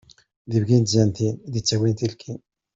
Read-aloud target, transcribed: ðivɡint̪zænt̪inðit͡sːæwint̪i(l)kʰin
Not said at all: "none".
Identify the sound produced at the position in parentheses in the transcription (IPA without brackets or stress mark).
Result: l